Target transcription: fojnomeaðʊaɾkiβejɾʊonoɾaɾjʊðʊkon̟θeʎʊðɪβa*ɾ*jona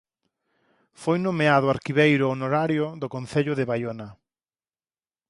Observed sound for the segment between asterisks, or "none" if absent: none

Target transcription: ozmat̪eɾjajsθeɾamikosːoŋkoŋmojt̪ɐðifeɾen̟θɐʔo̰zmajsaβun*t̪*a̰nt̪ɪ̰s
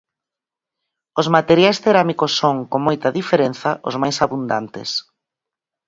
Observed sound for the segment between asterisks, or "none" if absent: d̪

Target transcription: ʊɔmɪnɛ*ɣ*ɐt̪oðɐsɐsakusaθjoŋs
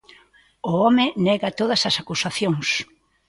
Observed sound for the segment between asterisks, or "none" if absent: ɣ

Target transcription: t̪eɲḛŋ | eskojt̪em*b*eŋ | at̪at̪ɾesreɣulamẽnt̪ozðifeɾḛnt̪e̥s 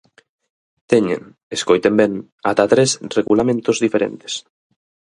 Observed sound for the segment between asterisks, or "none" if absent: b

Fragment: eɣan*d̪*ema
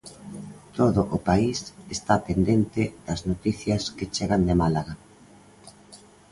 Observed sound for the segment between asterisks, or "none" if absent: d̪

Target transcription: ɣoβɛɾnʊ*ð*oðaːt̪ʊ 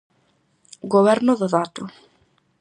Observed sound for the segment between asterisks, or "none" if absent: ð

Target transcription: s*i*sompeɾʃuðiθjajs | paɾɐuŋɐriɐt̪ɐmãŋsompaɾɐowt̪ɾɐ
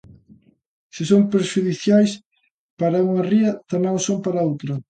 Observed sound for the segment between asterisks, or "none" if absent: ɪ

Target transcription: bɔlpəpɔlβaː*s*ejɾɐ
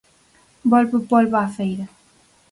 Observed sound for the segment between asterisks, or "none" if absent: f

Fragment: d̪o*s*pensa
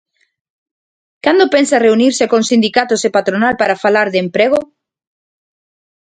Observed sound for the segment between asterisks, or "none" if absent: none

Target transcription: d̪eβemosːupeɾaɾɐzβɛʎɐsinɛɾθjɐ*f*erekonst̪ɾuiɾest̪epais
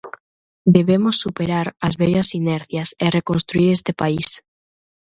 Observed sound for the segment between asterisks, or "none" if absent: s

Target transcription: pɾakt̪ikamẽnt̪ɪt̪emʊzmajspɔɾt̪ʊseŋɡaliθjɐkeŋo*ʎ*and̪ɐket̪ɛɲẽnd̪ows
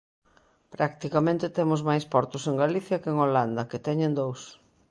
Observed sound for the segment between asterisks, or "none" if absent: l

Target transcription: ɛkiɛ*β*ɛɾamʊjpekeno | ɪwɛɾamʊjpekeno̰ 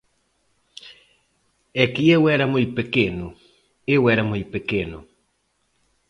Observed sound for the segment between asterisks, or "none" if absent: w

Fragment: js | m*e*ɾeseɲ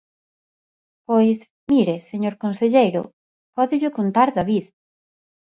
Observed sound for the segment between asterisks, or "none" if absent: i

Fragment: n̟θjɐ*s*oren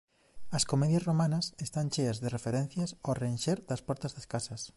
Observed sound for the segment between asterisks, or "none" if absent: s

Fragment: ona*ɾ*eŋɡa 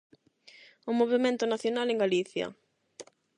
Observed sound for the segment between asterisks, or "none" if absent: l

